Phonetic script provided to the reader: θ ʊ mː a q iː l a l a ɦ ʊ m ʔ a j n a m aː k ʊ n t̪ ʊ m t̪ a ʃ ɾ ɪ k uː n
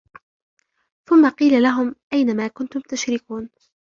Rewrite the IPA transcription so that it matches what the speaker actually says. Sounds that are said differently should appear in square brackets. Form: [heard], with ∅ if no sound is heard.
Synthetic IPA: θ ʊ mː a q iː l a l a ɦ ʊ m ʔ a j n a m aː k ʊ n t̪ ʊ m t̪ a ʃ ɾ ɪ k uː n